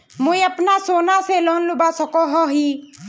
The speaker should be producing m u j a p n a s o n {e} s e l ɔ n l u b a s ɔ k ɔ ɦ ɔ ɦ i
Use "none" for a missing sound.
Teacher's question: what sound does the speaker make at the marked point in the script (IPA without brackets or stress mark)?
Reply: a